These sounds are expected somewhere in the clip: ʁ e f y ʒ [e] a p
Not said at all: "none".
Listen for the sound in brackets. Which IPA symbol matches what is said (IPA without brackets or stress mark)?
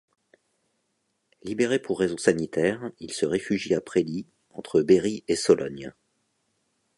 i